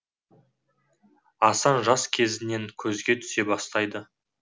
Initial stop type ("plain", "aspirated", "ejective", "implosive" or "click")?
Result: aspirated